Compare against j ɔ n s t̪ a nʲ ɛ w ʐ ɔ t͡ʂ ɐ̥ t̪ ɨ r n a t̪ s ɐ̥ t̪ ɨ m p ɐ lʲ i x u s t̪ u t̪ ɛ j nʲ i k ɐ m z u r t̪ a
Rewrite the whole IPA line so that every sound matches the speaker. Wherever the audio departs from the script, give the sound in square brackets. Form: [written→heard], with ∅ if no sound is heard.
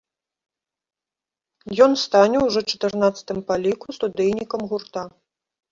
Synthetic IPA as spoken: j ɔ n s t̪ a nʲ ɛ w ʐ ɔ t͡ʂ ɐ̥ t̪ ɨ r n a t̪ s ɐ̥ t̪ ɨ m p [ɐ→a] lʲ i [x→k] u s t̪ u [t̪→d̪] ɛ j nʲ i k ɐ m [z→ɣ] u r t̪ a